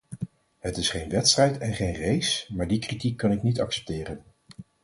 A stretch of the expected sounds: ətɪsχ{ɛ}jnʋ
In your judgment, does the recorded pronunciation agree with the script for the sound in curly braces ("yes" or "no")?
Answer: no